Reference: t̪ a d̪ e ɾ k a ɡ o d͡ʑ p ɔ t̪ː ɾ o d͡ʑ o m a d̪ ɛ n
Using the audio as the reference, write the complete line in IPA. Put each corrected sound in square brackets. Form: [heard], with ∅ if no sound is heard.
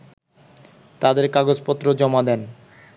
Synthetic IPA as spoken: t̪ a d̪ e ɾ k a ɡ o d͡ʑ p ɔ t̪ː ɾ o d͡ʑ [ɔ] m a d̪ ɛ n